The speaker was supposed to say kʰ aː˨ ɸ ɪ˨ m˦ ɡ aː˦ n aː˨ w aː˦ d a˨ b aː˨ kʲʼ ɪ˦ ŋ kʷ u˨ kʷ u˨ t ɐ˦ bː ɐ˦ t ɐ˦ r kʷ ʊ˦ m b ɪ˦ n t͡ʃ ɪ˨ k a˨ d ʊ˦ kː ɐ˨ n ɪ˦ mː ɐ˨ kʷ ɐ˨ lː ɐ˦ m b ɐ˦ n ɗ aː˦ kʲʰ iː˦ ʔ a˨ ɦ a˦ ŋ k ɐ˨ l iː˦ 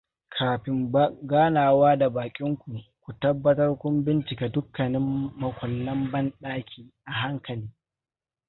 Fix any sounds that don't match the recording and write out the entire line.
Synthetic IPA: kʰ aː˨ ɸ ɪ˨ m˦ ɡ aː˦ n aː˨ w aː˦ d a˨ b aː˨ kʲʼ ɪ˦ ŋ kʷ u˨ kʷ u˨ t ɐ˦ bː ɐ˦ t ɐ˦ r kʷ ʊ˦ m b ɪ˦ n t͡ʃ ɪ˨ k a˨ d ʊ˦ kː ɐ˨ n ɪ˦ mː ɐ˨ kʷ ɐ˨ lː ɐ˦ m b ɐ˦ n ɗ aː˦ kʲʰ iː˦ ʔ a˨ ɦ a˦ ŋ k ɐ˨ l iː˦

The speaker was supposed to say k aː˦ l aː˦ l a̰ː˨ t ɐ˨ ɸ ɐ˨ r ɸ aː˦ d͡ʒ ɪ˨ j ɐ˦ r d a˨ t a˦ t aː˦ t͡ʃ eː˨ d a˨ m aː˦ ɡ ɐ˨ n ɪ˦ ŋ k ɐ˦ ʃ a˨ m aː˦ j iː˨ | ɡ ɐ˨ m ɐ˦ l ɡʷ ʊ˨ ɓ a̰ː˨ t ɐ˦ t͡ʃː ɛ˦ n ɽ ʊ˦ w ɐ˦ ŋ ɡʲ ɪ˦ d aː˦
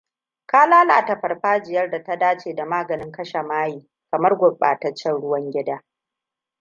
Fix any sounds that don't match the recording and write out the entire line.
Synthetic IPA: k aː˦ l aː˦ l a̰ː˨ t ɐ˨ ɸ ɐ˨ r ɸ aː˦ d͡ʒ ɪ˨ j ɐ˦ r d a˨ t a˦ d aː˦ t͡ʃ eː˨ d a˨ m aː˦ ɡ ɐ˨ n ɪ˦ ŋ k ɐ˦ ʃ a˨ m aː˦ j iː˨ | k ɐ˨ m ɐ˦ r ɡʷ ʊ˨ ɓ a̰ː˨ t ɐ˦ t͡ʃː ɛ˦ n ɽ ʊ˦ w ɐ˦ ŋ ɡʲ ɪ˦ d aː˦

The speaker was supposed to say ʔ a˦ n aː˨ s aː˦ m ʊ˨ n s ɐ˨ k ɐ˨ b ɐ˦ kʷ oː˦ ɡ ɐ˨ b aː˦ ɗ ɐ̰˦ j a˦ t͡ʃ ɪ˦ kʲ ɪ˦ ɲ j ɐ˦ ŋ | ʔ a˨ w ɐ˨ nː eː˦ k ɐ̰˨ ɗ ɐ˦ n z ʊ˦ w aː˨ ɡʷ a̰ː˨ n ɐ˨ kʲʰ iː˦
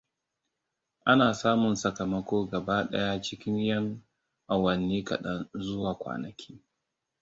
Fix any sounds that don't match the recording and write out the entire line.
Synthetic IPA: ʔ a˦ n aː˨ s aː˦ m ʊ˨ n s ɐ˨ k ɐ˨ m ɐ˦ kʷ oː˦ ɡ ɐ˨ b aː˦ ɗ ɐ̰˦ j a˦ t͡ʃ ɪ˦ kʲ ɪ˦ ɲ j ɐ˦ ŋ | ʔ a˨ w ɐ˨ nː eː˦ k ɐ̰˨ ɗ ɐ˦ n z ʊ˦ w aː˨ kʷ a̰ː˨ n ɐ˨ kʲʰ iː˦

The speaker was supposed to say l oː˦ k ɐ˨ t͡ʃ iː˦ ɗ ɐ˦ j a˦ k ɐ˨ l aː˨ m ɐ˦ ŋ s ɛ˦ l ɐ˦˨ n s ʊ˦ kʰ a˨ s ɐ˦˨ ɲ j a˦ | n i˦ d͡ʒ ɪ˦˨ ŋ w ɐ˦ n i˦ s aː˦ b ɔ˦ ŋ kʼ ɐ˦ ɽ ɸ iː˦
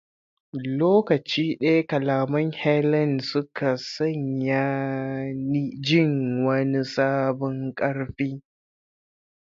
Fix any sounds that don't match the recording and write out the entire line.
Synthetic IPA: l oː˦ k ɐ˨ t͡ʃ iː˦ ɗ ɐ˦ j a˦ k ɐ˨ l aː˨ m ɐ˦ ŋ h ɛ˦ l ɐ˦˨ n s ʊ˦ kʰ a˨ s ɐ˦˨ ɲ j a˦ | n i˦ d͡ʒ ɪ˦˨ ŋ w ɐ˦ n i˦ s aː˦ b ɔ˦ ŋ kʼ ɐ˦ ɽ ɸ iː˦

